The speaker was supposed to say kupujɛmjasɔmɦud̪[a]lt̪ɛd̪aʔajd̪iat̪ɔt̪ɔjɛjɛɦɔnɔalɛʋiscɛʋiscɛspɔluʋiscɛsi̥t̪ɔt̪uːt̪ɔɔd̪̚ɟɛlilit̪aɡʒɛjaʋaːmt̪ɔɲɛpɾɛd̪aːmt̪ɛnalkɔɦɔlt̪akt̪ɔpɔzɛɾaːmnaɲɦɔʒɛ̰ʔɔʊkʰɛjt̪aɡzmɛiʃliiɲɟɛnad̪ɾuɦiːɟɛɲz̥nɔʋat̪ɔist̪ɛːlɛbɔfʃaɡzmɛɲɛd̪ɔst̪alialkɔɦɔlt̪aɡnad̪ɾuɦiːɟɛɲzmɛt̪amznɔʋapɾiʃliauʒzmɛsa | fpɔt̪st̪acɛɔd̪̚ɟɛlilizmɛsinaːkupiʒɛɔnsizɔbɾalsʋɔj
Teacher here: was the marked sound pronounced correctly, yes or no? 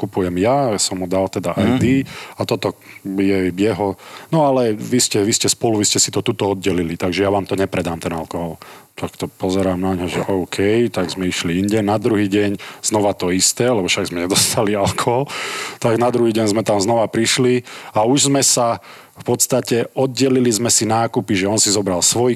yes